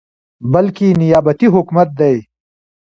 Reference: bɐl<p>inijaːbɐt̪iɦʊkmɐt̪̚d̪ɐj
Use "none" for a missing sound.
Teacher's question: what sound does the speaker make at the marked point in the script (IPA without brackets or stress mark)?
k